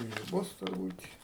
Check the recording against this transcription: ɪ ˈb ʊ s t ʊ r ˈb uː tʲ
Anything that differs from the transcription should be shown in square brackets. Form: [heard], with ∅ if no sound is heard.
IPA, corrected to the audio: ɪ ˈb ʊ s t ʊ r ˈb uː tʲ